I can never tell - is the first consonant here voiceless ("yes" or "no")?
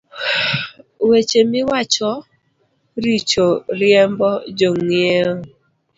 no